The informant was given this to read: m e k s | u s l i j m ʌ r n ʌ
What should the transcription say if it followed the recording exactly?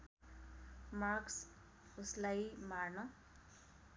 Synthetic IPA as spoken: m a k s | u s l a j m a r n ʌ